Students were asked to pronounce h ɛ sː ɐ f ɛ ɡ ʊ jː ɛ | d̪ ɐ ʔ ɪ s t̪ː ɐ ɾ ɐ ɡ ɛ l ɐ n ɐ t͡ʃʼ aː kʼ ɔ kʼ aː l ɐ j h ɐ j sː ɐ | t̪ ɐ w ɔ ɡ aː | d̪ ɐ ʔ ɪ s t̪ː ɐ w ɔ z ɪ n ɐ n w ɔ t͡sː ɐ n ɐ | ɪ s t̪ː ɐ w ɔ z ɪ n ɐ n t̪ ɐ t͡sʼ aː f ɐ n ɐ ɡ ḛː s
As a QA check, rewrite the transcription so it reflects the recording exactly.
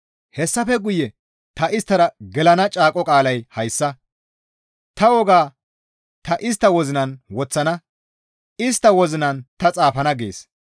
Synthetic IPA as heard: h ɛ sː ɐ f ɛ ɡ ʊ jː ɛ | t̪ ɐ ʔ ɪ s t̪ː ɐ ɾ ɐ ɡ ɛ l ɐ n ɐ t͡ʃʼ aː kʼ ɔ kʼ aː l ɐ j h ɐ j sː ɐ | t̪ ɐ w ɔ ɡ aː | t̪ ɐ ʔ ɪ s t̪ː ɐ w ɔ z ɪ n ɐ n w ɔ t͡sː ɐ n ɐ | ɪ s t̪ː ɐ w ɔ z ɪ n ɐ n t̪ ɐ t͡sʼ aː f ɐ n ɐ ɡ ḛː s